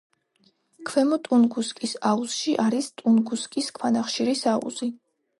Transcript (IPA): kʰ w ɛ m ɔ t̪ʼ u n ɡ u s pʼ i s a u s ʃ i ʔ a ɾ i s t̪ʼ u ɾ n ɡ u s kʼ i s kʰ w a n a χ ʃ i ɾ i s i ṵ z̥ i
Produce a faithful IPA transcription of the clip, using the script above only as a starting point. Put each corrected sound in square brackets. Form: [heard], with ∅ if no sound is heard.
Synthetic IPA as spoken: kʰ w ɛ m ɔ t̪ʼ u n ɡ u s [kʼ] i s a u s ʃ i ʔ a ɾ i s t̪ʼ u [∅] n ɡ u s kʼ i s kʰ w a n a χ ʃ i ɾ i s [a] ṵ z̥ i